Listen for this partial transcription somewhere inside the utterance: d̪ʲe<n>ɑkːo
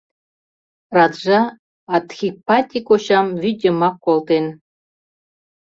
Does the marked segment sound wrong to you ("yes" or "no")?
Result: yes